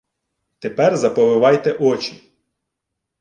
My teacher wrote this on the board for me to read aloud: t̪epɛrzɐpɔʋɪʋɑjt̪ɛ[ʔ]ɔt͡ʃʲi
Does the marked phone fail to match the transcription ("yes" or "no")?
no